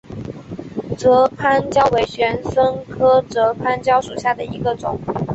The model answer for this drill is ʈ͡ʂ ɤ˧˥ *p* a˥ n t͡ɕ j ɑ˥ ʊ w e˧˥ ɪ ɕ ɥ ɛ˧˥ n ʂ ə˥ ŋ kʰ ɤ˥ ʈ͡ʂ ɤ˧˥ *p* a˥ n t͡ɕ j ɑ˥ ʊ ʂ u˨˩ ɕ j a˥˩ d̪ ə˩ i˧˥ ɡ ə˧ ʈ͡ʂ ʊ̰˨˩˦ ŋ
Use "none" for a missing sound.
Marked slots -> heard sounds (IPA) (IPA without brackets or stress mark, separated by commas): pʰ, pʰ